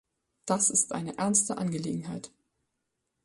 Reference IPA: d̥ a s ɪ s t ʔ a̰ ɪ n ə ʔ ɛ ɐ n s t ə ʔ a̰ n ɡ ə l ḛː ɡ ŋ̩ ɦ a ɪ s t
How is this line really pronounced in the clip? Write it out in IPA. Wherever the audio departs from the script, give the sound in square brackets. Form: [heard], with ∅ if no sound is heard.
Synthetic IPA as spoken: d̥ a s ɪ s t ʔ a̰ ɪ n ə ʔ ɛ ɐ n s t ə ʔ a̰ n ɡ ə l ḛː ɡ ŋ̩ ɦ a ɪ [∅] t